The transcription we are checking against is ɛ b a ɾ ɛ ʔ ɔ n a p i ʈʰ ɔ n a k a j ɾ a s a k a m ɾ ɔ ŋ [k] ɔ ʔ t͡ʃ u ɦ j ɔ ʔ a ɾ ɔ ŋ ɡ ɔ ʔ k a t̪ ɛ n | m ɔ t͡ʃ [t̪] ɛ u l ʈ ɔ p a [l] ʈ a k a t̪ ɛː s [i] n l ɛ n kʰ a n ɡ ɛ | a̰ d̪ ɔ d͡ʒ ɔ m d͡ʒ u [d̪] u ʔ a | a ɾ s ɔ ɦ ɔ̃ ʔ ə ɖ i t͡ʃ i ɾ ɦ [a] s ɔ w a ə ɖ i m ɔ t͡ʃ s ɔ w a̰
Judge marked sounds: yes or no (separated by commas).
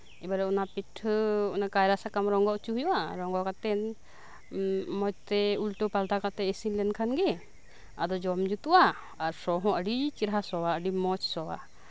no, yes, yes, yes, no, yes